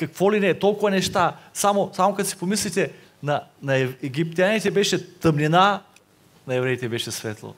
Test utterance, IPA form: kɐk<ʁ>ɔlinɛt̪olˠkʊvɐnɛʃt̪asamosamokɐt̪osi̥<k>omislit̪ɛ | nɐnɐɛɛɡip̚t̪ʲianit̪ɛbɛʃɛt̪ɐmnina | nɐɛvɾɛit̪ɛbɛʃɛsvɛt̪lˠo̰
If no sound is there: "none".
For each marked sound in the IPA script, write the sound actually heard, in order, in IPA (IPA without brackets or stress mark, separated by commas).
v, p